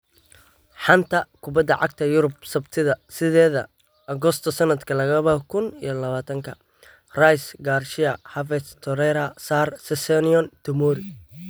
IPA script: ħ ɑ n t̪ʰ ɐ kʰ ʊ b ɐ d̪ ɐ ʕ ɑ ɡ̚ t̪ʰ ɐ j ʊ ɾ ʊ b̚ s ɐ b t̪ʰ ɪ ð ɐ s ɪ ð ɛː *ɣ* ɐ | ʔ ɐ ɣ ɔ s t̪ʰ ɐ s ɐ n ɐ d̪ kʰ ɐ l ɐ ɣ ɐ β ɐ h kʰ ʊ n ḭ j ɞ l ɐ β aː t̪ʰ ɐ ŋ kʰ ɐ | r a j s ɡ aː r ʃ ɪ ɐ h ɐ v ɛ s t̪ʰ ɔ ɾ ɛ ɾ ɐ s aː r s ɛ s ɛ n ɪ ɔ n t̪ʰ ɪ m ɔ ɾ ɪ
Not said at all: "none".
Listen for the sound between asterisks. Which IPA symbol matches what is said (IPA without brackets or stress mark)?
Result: ð